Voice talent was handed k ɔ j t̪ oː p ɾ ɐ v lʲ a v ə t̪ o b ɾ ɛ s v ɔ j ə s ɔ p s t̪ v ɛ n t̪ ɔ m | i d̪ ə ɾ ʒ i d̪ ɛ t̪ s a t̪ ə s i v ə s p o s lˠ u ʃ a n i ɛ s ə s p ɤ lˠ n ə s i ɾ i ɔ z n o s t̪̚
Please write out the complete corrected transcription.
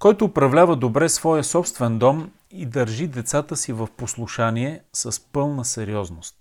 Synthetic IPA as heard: k ɔ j t̪ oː p ɾ ɐ v lʲ a v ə d̪ o b ɾ ɛ s v ɔ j ə s ɔ p s t̪ v ɛ n d̪ ɔ m | i d̪ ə ɾ ʒ i d̪ ɛ t̪ s a t̪ ə s i v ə f p o s lˠ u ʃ a n i ɛ s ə s p ɤ lˠ n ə s ɛ ɾ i ɔ z n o s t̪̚